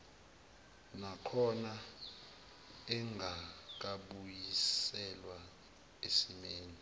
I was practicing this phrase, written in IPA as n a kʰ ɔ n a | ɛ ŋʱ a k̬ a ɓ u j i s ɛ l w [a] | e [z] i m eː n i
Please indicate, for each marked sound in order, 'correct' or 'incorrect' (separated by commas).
correct, incorrect